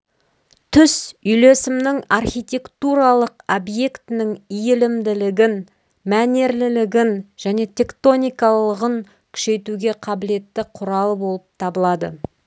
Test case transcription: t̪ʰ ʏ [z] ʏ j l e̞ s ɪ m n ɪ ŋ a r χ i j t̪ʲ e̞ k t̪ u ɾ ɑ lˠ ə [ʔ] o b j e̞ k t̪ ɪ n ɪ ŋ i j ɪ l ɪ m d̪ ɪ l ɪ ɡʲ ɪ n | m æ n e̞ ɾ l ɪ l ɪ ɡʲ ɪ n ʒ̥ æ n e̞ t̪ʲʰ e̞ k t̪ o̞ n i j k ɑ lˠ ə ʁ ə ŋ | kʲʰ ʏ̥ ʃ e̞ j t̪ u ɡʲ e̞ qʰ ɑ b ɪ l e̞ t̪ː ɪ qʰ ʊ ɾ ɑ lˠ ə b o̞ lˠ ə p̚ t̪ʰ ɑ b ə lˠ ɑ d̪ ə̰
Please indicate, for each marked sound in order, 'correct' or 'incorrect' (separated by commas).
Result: incorrect, incorrect